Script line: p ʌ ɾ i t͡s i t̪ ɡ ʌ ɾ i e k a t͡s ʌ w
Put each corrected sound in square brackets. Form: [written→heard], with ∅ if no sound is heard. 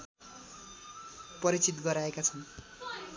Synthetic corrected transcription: p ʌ ɾ i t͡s i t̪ ɡ ʌ ɾ [i→a] e k a [t͡s→t͡sʰ] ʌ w